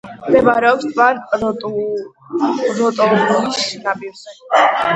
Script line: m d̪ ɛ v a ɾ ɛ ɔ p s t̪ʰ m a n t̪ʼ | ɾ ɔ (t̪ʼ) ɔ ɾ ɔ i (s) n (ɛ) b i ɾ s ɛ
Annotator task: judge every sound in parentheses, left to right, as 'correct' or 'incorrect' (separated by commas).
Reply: correct, correct, incorrect